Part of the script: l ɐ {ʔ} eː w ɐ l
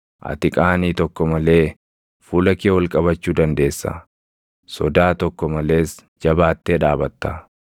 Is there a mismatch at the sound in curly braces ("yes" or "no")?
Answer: yes